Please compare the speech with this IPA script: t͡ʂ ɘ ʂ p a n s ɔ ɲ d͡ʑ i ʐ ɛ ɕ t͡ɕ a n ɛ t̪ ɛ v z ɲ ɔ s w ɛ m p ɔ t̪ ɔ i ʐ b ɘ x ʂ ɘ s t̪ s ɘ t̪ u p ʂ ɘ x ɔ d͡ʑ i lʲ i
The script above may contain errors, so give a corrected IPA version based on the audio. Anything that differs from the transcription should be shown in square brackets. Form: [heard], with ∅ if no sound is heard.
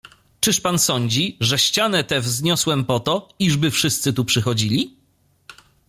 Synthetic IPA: t͡ʂ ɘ ʂ p a n s ɔ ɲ d͡ʑ i ʐ ɛ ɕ t͡ɕ a n ɛ t̪ ɛ v z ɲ ɔ s w ɛ m p ɔ t̪ ɔ i ʐ b ɘ [f] ʂ ɘ s t̪ s ɘ t̪ u p ʂ ɘ x ɔ d͡ʑ i lʲ i